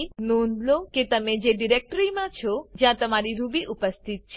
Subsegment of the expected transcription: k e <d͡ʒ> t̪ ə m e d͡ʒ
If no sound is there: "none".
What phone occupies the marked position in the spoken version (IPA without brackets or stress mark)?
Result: none